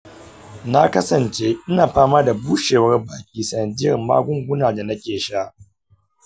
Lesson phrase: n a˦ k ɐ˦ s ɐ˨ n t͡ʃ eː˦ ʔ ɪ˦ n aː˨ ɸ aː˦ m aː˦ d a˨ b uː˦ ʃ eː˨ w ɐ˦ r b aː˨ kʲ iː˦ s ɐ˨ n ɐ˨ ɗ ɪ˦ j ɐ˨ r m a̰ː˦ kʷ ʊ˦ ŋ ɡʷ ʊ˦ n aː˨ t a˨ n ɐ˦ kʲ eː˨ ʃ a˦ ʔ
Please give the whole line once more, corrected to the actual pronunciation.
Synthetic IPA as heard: n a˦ k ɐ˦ s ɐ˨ n t͡ʃ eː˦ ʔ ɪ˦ n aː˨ ɸ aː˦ m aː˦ d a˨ b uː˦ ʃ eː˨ w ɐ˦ r b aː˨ kʲ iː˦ s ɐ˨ n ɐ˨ d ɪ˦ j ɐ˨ r m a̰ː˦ ɡʷ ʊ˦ ŋ ɡʷ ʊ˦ n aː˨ d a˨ n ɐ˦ kʲ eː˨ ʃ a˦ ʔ